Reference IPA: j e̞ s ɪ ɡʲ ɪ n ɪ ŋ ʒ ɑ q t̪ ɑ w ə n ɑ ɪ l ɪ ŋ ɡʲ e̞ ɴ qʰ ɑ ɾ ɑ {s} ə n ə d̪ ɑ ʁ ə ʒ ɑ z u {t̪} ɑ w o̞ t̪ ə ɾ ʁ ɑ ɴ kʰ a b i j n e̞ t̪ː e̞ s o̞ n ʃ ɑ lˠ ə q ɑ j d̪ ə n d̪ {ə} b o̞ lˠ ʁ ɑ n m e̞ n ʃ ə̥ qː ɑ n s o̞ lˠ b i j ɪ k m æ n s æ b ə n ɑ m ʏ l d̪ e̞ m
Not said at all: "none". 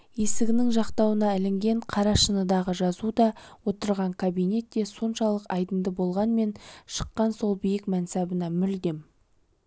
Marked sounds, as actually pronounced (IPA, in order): ʃ, d̪, ə

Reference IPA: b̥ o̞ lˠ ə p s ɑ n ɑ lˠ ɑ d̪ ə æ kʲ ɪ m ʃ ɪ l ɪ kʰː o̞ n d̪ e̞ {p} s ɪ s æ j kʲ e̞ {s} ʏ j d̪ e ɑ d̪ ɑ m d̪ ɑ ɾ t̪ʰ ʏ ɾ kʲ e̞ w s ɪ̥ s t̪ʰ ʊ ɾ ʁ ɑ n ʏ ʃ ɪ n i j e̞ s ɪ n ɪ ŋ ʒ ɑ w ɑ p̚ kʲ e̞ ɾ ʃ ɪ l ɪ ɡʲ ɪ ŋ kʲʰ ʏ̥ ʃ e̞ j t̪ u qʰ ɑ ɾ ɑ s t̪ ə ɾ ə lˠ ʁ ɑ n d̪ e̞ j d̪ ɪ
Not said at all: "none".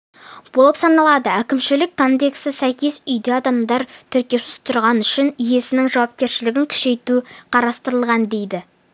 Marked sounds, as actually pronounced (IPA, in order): k, s

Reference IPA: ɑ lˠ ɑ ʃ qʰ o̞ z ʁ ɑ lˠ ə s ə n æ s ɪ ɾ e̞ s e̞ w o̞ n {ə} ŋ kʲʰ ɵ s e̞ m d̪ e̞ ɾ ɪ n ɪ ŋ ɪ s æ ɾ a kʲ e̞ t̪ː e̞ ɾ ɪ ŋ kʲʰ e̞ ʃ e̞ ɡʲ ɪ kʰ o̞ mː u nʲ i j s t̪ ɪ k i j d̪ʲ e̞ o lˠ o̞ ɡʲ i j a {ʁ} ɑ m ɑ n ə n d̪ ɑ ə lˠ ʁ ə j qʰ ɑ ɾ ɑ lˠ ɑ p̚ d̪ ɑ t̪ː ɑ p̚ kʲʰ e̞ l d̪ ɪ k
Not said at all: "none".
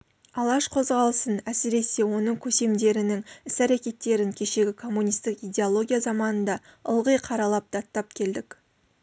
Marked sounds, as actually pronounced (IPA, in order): ə, z

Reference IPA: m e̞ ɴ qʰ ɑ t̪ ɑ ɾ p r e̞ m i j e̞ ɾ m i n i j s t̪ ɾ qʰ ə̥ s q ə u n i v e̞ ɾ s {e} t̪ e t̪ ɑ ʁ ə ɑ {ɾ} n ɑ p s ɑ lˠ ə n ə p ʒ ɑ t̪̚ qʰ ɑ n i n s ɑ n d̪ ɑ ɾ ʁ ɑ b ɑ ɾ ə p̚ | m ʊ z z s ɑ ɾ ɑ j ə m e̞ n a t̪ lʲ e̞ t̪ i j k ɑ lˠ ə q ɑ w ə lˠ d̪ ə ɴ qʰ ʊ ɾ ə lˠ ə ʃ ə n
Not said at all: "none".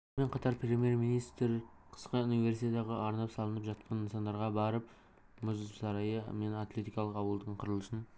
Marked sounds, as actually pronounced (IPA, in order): i, ɾ

